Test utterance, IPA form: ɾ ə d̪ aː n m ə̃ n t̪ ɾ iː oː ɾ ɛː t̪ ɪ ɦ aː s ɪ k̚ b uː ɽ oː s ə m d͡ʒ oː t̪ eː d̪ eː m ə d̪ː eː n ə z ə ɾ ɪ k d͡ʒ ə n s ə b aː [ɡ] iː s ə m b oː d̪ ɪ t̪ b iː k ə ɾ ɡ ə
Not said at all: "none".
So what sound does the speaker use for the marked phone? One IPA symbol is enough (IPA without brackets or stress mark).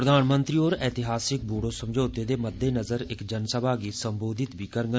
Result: ɡ